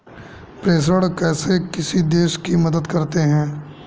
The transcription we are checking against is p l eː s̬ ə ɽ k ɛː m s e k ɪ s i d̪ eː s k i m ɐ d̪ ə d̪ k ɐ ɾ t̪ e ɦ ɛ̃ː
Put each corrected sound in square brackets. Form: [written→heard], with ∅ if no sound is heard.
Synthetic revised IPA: p [l→ɾ] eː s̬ ə ɽ k ɛː [m→∅] s e k ɪ s i d̪ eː [s→ʃ] k i m ɐ d̪ ə d̪ k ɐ ɾ t̪ e ɦ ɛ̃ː